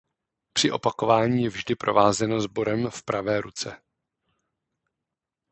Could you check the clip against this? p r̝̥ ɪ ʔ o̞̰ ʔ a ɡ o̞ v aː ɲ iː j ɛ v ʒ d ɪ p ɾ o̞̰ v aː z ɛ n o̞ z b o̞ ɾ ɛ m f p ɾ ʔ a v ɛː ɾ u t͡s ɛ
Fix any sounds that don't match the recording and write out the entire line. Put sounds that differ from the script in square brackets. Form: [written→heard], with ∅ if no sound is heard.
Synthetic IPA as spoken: p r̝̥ ɪ ʔ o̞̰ [ʔ→p] a [ɡ→k] o̞ v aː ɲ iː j ɛ v ʒ d ɪ p ɾ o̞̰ v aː z ɛ n o̞ z b o̞ ɾ ɛ m f p ɾ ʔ a v ɛː ɾ u t͡s ɛ